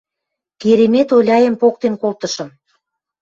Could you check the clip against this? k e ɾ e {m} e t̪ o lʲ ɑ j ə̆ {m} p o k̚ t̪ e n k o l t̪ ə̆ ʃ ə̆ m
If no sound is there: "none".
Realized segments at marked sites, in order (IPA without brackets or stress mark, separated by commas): m, m